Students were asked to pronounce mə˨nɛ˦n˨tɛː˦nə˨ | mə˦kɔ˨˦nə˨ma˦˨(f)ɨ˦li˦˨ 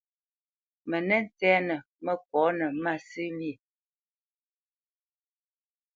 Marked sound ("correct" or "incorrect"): incorrect